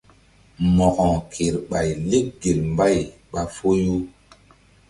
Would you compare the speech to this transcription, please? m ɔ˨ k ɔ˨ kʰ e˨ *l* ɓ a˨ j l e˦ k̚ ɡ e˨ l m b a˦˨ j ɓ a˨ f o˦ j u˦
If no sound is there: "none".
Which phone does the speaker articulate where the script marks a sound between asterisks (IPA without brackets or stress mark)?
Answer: ɾ